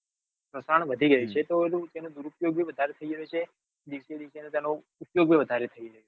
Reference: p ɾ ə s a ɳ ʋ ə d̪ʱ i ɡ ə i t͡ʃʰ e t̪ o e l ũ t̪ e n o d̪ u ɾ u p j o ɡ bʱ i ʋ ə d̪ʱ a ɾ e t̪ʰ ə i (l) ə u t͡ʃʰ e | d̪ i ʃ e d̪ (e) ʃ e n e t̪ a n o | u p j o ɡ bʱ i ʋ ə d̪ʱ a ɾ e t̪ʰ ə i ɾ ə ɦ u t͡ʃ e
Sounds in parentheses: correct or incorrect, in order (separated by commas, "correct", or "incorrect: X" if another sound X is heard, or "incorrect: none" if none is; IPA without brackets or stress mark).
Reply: incorrect: ɾ, incorrect: i